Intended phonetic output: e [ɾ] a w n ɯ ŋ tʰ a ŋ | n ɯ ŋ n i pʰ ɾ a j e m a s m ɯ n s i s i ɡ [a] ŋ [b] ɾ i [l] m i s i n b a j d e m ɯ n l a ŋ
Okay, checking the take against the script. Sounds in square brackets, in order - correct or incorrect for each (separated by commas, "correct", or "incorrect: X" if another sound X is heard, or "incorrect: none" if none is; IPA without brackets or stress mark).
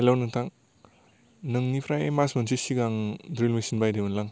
incorrect: l, correct, incorrect: d, correct